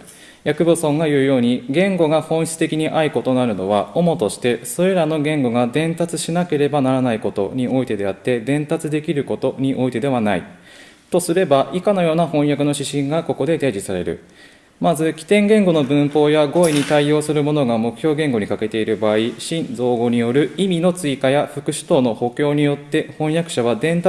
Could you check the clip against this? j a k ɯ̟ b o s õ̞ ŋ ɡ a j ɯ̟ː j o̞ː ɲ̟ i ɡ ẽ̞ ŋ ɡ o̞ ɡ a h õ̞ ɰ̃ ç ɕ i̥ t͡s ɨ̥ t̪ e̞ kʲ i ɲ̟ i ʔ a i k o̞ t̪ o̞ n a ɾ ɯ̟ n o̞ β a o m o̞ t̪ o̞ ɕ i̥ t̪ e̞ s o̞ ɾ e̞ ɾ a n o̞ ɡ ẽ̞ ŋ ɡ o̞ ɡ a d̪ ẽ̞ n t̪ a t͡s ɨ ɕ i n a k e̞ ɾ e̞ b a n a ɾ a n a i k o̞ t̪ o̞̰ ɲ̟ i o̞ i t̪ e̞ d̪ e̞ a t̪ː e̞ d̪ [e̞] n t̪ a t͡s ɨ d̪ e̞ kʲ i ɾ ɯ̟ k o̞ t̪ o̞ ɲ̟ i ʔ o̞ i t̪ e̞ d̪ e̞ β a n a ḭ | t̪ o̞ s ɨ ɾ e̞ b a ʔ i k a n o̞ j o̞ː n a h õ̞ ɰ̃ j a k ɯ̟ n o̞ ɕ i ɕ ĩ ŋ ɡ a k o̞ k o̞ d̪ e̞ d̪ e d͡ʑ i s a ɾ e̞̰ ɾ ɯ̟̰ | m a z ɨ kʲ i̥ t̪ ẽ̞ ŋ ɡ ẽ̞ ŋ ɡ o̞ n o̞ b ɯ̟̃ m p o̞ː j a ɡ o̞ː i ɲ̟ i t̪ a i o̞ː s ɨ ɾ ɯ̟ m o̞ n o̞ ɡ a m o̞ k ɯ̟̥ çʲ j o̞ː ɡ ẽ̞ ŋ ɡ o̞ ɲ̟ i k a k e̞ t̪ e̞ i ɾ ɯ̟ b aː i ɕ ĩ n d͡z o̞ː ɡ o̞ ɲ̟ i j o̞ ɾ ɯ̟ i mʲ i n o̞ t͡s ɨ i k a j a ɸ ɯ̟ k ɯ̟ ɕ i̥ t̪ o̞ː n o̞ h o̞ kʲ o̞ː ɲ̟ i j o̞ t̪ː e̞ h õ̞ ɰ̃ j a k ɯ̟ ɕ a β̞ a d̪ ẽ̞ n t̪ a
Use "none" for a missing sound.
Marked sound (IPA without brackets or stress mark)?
ẽ̞